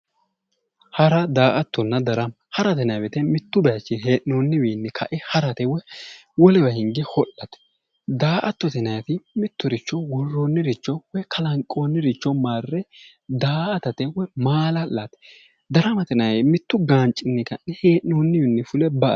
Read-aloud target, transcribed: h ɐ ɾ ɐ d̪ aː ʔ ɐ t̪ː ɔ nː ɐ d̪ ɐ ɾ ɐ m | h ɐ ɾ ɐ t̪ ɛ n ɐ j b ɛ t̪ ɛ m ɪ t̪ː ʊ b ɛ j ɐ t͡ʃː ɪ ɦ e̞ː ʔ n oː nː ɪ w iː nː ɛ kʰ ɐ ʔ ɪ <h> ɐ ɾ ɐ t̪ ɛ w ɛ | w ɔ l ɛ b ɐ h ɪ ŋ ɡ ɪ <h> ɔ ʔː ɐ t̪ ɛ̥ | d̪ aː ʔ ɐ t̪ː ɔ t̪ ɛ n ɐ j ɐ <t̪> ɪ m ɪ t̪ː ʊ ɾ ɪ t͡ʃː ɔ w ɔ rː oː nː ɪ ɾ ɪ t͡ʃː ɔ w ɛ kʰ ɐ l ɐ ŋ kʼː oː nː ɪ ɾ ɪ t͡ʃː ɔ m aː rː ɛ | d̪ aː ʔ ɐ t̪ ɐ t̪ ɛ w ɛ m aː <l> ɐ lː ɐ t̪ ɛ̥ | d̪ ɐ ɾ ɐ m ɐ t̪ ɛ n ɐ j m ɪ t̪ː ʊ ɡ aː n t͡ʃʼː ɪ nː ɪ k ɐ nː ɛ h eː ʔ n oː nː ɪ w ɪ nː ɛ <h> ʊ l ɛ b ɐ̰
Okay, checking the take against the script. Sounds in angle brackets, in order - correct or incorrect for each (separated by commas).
correct, correct, correct, correct, incorrect